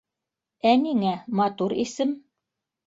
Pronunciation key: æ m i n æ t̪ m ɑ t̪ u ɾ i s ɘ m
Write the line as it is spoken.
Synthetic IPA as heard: æ n i ŋ æ m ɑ t̪ u ɾ i s ɘ m